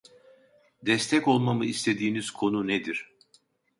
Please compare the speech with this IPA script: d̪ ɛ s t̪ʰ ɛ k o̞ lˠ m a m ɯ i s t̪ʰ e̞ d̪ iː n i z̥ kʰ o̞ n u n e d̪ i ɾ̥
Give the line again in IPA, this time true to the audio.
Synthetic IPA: d̪ ɛ s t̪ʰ ɛ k o̞ lˠ m a m ɯ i s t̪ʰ e̞ d̪ iː n i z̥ kʰ o̞ n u n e d̪ i ɾ̥